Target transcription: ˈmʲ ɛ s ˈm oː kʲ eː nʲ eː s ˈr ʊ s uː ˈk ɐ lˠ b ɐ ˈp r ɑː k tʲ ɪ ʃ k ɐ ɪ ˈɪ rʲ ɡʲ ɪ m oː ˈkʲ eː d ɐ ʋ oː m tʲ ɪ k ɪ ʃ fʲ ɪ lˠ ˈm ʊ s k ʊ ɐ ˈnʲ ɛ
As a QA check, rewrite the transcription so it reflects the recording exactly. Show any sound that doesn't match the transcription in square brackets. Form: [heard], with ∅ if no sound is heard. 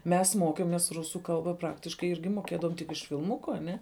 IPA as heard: ˈmʲ ɛ s ˈm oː kʲ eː [mʲ] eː s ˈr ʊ s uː ˈk ɐ lˠ b ɐ ˈp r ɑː k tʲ ɪ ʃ k ɐ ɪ ˈɪ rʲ ɡʲ ɪ m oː ˈkʲ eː d ɐ ʋ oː m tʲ ɪ k ɪ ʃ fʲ ɪ lˠ ˈm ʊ [∅] k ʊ ɐ ˈnʲ ɛ